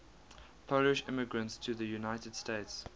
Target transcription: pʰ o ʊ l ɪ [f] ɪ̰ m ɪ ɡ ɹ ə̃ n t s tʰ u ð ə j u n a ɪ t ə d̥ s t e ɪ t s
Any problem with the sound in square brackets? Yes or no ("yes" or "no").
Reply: yes